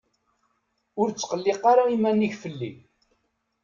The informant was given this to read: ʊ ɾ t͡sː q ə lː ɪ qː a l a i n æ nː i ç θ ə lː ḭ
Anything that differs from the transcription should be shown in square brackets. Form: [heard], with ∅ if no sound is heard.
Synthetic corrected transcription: ʊ ɾ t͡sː q ə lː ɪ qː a [ɾ] a i [m] æ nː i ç [f] ə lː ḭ